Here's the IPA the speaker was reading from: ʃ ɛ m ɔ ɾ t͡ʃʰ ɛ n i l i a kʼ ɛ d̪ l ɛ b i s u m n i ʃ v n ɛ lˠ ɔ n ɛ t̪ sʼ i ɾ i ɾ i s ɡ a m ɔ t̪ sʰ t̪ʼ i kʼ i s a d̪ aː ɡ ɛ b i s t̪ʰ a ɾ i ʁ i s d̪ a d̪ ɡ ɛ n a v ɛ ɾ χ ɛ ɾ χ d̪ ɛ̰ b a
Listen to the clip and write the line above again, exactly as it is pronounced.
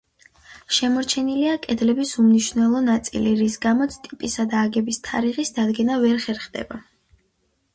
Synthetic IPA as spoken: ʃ ɛ m ɔ ɾ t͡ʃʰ ɛ n i l i a kʼ ɛ d̪ l ɛ b i s u m n i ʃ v n ɛ lˠ ɔ n a t̪ sʼ i l i ɾ i s ɡ a m ɔ t̪ sʰ t̪ʼ i pʼ i s a d̪ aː ɡ ɛ b i s t̪ʰ a ɾ i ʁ i s d̪ a d̪ ɡ ɛ n a v ɛ ɾ χ ɛ ɾ χ d̪ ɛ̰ b a